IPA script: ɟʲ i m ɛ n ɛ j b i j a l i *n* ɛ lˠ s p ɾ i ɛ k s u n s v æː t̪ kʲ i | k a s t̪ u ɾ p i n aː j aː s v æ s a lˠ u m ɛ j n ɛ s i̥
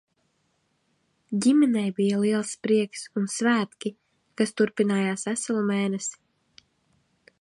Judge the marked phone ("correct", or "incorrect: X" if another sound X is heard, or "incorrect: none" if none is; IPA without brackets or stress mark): incorrect: none